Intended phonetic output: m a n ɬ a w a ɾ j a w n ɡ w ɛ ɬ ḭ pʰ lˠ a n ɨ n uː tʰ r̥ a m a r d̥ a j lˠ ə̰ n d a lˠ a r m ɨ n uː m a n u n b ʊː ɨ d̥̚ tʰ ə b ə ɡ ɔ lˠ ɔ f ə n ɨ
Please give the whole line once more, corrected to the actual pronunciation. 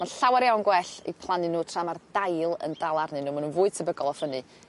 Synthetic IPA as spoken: m a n ɬ a w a ɾ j a w n ɡ w ɛ ɬ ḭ pʰ lˠ a n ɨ n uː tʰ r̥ a m a r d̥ a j lˠ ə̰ n d a lˠ a r n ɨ n uː m a n u n v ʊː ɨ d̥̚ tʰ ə b ə ɡ ɔ lˠ ɔ f ə n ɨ